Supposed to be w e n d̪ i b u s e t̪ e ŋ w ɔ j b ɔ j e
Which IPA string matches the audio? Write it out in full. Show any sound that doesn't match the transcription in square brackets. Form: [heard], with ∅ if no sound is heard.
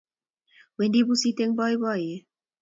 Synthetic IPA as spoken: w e n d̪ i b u s [i] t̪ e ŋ [b] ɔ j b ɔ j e